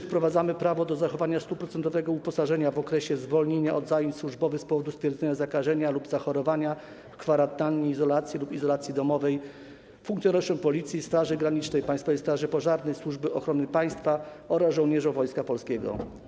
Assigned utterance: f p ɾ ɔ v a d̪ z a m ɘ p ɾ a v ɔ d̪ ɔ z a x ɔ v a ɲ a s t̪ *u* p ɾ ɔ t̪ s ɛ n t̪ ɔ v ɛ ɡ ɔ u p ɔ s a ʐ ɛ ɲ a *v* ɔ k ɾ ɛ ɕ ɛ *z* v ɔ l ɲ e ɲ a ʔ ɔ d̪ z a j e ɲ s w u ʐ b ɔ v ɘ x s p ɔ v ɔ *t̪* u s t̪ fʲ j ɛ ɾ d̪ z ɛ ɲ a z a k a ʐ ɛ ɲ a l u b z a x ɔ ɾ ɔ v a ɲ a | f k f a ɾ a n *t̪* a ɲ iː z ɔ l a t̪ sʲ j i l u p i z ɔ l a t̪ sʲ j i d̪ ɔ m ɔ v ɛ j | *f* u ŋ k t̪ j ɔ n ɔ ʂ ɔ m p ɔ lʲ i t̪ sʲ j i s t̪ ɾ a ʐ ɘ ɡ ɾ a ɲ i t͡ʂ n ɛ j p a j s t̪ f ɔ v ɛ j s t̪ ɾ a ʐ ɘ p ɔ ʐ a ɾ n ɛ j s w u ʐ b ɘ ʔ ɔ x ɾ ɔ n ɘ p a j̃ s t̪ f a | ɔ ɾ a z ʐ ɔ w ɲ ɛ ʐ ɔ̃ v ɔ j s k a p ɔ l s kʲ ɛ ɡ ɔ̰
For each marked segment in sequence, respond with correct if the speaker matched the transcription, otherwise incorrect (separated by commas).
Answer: correct, correct, correct, incorrect, correct, correct